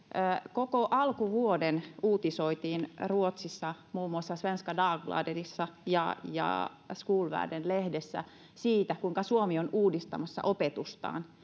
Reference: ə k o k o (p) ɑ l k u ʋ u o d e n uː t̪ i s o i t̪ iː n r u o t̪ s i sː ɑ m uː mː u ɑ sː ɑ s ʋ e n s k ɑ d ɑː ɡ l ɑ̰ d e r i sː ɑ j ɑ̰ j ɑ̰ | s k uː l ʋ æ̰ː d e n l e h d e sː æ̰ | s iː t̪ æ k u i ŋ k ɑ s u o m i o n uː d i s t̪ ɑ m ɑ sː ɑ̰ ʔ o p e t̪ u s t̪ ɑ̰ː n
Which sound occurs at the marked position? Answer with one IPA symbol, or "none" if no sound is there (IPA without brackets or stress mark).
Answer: ʔ